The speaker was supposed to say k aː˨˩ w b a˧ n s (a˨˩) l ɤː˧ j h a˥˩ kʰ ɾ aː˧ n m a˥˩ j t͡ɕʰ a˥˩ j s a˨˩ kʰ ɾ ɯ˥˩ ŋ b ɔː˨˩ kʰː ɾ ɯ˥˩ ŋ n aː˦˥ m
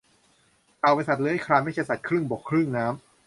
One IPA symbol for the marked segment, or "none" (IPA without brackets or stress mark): a˨˩